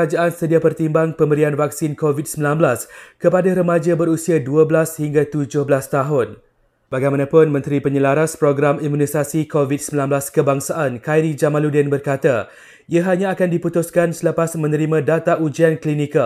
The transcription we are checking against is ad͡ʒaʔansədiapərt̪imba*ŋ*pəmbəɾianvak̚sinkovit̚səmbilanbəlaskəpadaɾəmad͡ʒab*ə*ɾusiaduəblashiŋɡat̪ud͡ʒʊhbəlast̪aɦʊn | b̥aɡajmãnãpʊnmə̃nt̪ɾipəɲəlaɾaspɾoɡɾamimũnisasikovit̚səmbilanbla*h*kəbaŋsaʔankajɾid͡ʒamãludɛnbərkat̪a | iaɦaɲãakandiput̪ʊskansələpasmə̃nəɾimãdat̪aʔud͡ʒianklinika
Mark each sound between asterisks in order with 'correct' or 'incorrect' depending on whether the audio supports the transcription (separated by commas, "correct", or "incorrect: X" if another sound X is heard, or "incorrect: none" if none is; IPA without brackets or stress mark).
correct, correct, incorrect: s